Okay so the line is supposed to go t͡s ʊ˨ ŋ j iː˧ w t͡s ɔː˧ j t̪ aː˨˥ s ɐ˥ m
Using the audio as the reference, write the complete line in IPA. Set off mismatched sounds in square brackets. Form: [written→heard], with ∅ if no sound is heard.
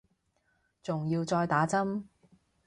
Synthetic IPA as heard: t͡s ʊ˨ ŋ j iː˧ w t͡s ɔː˧ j t̪ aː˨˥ [s→t͡s] ɐ˥ m